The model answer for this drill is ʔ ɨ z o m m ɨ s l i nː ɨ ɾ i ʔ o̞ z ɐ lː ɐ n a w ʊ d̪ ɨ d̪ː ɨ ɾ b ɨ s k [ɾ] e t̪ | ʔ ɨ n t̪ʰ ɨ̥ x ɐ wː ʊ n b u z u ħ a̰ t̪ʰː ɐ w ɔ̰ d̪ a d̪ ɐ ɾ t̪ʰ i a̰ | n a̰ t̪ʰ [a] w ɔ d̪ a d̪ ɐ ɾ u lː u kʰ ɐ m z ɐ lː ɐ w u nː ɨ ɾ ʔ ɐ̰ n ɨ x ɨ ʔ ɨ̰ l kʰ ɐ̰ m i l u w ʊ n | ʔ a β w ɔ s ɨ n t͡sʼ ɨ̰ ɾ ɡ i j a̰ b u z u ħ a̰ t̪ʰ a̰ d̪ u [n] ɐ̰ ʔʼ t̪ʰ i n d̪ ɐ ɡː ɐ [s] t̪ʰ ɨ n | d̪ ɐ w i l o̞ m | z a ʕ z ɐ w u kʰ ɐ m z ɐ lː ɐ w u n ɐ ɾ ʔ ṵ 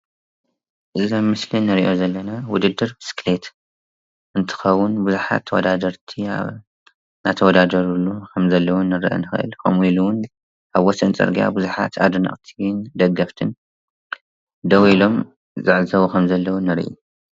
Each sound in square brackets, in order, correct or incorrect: incorrect: l, incorrect: ɐ, correct, incorrect: f

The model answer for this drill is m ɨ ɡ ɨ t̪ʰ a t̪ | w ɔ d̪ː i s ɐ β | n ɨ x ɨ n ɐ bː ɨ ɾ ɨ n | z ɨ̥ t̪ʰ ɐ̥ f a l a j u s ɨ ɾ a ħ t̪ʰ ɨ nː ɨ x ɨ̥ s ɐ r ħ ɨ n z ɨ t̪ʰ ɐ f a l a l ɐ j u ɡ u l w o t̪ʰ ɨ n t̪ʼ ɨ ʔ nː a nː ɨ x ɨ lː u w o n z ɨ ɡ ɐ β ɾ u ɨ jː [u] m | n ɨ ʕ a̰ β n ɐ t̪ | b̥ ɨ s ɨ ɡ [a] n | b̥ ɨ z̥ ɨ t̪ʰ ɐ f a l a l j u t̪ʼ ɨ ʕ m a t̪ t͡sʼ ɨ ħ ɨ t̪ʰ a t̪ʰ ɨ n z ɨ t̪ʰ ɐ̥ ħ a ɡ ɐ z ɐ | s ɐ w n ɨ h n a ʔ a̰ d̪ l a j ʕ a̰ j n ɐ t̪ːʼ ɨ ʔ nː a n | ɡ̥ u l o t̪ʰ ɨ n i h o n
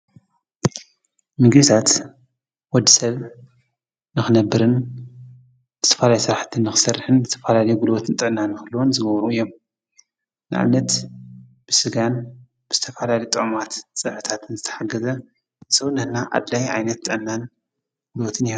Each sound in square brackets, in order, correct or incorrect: incorrect: o, correct

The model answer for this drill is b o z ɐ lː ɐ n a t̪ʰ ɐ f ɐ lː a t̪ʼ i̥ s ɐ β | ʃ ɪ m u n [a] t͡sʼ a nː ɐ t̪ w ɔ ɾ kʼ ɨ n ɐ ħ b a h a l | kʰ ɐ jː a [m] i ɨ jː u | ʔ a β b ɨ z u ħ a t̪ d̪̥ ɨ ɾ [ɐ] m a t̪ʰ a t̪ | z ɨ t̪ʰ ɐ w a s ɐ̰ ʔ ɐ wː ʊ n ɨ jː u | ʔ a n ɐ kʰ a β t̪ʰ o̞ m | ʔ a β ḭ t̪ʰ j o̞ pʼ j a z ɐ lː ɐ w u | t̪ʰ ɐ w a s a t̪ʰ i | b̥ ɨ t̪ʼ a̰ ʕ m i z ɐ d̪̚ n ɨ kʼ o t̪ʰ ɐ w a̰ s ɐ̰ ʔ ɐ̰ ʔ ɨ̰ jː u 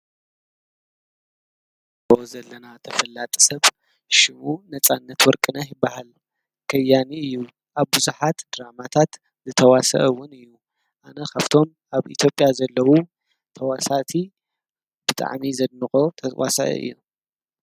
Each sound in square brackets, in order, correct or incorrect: incorrect: ɐ, incorrect: n, incorrect: a

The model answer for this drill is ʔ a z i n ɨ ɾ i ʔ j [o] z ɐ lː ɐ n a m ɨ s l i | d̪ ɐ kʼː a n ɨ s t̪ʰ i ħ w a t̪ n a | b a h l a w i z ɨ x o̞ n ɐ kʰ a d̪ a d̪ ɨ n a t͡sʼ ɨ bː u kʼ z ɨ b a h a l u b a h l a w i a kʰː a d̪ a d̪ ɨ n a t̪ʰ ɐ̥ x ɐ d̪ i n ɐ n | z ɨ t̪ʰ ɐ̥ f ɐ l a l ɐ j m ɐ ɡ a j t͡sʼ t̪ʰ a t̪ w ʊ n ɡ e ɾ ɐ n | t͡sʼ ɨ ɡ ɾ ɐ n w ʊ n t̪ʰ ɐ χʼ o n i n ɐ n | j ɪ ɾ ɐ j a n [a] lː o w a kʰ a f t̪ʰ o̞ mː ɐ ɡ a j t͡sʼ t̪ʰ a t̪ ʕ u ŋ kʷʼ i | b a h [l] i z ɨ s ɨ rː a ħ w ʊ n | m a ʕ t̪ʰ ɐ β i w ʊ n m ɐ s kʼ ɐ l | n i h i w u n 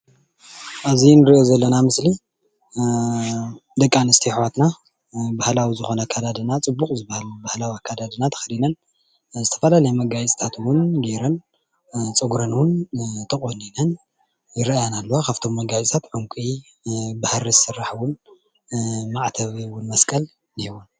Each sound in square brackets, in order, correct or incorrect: correct, correct, incorrect: ɾ

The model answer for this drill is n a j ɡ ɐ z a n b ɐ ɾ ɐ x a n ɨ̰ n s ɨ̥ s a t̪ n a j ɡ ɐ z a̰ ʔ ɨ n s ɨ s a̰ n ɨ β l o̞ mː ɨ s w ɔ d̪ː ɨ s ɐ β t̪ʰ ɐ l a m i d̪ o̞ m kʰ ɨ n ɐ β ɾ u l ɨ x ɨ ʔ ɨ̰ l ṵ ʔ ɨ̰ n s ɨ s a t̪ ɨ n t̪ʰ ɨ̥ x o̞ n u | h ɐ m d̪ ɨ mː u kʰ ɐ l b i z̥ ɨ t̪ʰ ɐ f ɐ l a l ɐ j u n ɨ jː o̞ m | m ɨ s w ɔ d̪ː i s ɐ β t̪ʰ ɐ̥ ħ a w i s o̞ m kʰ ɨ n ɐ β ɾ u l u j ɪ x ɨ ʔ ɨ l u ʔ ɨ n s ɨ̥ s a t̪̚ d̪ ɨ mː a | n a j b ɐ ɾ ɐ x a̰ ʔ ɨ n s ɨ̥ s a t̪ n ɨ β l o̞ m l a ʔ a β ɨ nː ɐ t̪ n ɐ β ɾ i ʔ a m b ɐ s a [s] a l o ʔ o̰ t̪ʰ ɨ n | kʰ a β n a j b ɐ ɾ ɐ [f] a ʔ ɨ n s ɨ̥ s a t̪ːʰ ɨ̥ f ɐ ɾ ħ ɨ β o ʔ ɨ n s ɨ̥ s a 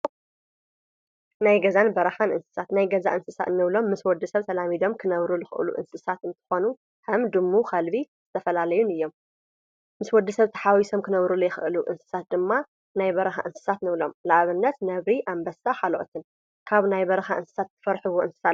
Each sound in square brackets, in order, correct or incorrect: incorrect: ħ, incorrect: x

